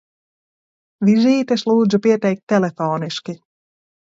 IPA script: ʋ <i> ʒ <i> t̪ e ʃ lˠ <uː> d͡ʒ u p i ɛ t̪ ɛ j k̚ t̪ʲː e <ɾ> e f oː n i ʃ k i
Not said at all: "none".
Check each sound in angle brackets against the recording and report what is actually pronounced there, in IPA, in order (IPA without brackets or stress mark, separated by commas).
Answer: i, iː, uː, l